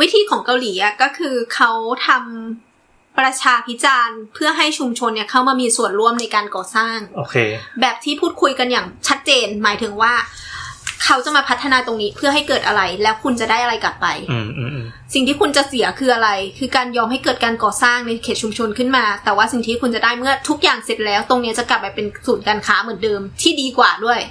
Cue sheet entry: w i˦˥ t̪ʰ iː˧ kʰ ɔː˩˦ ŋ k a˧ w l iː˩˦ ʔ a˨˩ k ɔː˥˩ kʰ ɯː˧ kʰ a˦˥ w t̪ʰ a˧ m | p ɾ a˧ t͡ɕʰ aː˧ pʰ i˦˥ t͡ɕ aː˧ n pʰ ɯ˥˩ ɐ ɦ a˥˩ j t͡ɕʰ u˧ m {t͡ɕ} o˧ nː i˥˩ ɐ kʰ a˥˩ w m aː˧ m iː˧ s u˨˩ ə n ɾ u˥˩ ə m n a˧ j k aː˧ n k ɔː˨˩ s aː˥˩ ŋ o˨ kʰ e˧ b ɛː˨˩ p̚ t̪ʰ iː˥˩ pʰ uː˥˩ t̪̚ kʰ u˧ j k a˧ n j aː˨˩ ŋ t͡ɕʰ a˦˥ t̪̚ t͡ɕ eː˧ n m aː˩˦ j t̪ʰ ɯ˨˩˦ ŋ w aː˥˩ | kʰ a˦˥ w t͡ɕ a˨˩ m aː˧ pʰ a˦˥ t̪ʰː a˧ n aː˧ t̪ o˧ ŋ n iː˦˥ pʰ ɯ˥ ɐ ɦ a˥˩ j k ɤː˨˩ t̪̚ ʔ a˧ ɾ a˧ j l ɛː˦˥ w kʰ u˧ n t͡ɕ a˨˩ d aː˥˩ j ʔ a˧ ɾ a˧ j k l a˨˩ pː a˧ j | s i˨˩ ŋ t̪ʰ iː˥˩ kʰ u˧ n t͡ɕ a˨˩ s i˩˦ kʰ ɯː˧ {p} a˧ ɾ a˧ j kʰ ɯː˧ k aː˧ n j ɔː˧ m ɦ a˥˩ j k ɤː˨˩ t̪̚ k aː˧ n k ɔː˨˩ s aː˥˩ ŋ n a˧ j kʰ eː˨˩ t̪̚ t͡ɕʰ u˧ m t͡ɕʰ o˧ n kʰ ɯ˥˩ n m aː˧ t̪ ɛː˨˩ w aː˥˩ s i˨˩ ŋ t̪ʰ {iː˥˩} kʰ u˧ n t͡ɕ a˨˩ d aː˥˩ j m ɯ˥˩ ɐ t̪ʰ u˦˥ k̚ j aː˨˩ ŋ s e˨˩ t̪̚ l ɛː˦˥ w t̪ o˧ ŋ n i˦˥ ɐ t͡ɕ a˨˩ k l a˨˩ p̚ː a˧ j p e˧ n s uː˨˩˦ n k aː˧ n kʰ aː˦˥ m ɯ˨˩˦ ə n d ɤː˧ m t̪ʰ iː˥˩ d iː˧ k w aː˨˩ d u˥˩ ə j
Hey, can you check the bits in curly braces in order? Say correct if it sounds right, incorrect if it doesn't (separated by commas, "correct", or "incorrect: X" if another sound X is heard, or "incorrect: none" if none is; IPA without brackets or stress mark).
incorrect: t͡ɕʰ, incorrect: ʔ, incorrect: iː˦˥